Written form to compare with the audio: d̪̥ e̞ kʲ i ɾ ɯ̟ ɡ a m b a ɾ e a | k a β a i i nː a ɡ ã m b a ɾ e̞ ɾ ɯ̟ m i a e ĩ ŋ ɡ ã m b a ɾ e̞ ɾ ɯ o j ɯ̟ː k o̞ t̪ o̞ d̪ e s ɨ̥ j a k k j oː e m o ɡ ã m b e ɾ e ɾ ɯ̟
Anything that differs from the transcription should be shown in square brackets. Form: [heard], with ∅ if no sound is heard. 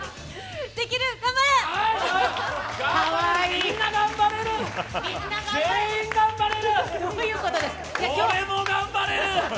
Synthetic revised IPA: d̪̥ e̞ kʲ i ɾ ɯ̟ ɡ a m b a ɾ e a | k a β a i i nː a ɡ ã m b a ɾ e̞ ɾ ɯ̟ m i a e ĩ ŋ ɡ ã m b a ɾ e̞ ɾ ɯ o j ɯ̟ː k o̞ t̪ o̞ d̪ e s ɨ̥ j a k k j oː e m o ɡ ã m b [a] ɾ e ɾ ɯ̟